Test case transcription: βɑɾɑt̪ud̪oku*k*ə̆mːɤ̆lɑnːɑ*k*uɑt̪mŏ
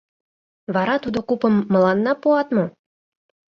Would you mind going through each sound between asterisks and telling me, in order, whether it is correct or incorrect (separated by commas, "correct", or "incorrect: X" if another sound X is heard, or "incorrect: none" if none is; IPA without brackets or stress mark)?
incorrect: p, incorrect: p